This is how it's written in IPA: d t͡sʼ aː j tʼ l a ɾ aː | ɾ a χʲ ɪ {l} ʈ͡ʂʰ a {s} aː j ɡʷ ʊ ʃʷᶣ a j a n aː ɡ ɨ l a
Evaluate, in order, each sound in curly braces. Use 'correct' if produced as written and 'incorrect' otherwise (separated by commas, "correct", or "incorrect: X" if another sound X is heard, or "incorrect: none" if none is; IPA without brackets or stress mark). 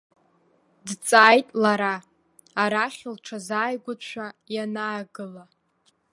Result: correct, incorrect: z